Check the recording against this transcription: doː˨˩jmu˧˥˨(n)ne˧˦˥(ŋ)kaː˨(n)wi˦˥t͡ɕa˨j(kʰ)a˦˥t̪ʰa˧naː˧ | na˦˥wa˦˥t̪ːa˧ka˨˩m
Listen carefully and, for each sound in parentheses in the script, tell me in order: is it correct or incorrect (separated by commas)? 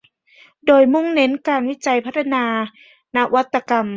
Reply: incorrect, incorrect, correct, incorrect